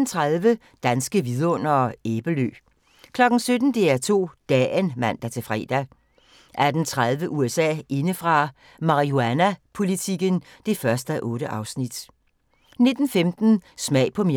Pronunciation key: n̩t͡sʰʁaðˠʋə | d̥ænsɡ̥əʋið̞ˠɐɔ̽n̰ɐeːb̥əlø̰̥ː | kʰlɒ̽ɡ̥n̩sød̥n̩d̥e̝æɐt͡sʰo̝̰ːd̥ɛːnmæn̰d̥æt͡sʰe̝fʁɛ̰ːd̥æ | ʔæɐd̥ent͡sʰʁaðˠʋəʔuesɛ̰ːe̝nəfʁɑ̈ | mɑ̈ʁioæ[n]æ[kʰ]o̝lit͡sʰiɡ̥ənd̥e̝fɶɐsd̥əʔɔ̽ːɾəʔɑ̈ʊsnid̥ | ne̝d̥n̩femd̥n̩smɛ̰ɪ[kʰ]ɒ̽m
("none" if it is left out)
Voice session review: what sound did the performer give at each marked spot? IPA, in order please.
n, pʰ, pʰ

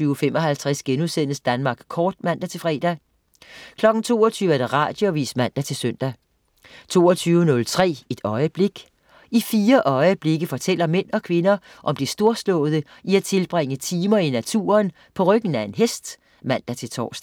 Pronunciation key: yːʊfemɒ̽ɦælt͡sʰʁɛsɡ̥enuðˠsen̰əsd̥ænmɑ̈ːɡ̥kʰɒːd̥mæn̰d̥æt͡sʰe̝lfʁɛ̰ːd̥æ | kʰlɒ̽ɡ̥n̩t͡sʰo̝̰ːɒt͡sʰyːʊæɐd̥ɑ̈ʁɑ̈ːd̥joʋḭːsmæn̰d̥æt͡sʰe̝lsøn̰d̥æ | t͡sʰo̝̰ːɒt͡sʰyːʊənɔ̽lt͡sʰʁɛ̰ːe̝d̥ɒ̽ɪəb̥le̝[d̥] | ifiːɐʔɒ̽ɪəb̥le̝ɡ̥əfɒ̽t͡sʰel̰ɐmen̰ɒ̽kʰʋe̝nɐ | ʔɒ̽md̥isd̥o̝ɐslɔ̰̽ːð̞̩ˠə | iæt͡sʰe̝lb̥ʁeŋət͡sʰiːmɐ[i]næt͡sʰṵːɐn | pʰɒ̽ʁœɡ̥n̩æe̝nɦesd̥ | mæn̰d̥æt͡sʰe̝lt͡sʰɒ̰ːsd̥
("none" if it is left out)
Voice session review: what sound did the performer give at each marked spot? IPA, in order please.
ɡ̥, i

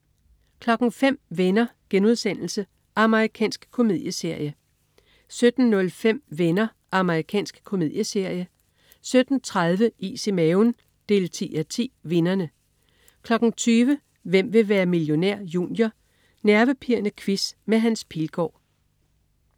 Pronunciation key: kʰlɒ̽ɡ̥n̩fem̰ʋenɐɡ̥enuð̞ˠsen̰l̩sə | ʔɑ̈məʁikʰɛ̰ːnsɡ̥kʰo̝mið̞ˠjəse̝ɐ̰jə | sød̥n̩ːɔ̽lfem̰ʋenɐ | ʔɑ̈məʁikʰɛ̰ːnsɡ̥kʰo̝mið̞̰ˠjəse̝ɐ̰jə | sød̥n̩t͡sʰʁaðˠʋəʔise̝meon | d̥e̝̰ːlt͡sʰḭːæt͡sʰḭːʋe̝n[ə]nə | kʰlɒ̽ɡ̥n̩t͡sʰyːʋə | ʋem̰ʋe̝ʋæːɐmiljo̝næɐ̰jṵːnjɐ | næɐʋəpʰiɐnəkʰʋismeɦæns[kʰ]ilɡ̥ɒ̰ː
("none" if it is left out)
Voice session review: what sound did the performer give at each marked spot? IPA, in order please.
ɐ, pʰ

